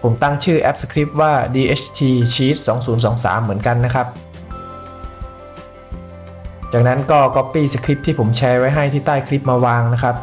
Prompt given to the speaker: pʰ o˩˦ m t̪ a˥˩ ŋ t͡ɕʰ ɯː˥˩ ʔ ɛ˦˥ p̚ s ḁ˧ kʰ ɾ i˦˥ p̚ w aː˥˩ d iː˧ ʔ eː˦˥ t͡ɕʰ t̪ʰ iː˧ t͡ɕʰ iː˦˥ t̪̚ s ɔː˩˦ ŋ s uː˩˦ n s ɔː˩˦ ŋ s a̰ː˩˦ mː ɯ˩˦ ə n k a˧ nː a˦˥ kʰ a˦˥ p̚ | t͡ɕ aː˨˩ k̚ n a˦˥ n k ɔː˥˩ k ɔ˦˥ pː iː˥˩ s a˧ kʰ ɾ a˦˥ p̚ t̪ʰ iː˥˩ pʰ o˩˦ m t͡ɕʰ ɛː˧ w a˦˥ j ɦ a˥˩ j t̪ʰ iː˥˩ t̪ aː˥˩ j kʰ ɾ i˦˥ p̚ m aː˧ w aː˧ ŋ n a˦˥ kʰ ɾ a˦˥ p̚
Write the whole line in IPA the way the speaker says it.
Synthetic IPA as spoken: pʰ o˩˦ m t̪ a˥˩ ŋ t͡ɕʰ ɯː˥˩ ʔ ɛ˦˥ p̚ s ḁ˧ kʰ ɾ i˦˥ p̚ w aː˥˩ d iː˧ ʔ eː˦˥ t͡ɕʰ t̪ʰ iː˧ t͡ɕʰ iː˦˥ t̪̚ s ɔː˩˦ ŋ s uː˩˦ n s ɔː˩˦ ŋ s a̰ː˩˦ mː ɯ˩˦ ə n k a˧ nː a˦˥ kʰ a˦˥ p̚ | t͡ɕ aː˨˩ k̚ n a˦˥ n k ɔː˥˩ k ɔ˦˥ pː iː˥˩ s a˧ kʰ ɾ i˦˥ p̚ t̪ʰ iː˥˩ pʰ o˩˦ m t͡ɕʰ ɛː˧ w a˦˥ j ɦ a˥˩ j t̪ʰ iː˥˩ t̪ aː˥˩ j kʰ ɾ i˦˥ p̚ m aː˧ w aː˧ ŋ n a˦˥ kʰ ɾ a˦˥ p̚